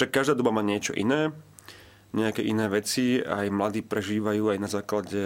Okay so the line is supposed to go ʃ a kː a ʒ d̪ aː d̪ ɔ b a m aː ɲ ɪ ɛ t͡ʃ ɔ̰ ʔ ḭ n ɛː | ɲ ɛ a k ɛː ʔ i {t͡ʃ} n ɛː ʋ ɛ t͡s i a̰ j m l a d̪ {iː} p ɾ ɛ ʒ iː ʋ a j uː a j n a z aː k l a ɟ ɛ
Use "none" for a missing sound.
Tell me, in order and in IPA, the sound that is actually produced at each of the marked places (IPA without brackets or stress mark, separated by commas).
none, iː